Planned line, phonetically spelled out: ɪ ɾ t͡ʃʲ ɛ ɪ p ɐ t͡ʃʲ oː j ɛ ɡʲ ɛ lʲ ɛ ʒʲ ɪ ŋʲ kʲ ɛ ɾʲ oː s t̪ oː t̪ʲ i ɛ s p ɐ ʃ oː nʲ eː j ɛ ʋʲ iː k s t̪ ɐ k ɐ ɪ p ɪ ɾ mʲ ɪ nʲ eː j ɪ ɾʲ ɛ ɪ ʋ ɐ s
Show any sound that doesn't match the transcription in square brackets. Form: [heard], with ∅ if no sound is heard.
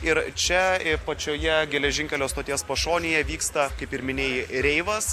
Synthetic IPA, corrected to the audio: ɪ ɾ t͡ʃʲ ɛ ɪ p ɐ t͡ʃʲ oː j ɛ ɡʲ ɛ lʲ ɛ ʒʲ ɪ ŋʲ kʲ ɛ [lʲ] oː s t̪ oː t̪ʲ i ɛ s p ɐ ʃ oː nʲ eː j ɛ ʋʲ iː k s t̪ ɐ k ɐ ɪ p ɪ ɾ mʲ ɪ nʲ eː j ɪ ɾʲ ɛ ɪ ʋ ɐ s